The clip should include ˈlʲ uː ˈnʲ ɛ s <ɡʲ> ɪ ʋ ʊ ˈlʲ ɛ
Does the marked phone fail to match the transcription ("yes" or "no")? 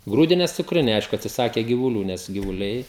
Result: no